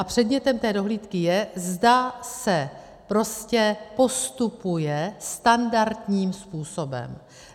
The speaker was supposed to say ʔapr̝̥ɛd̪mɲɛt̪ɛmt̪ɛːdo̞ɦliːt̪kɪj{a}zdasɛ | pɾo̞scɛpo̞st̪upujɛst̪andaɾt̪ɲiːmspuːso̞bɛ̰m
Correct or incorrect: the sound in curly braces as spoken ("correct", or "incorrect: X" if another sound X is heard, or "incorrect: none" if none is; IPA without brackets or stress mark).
incorrect: ɛ